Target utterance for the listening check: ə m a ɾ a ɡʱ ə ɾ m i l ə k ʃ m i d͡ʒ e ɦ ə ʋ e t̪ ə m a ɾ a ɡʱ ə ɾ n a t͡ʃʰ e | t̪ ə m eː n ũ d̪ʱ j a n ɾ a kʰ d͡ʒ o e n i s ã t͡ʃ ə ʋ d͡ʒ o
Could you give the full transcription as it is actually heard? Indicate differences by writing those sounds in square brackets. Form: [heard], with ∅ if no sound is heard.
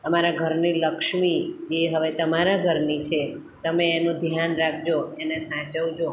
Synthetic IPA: ə m a ɾ a ɡʱ ə ɾ [n] i l ə k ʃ m i d͡ʒ e ɦ ə ʋ e t̪ ə m a ɾ a ɡʱ ə ɾ n [i] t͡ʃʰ e | t̪ ə m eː n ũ d̪ʱ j a n ɾ a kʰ d͡ʒ o e n [e] s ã t͡ʃ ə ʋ d͡ʒ o